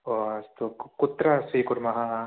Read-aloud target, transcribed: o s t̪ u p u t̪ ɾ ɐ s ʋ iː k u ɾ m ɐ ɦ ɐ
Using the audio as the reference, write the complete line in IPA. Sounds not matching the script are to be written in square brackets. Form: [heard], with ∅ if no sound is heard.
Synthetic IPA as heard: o s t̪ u [k] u t̪ ɾ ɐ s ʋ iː k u ɾ m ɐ ɦ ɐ